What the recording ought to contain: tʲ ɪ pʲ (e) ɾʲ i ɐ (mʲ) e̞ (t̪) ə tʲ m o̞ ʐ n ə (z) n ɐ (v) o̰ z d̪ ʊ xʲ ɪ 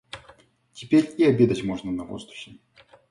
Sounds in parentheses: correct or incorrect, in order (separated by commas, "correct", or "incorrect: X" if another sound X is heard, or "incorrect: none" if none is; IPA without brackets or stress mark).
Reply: correct, incorrect: bʲ, incorrect: d̪, incorrect: none, correct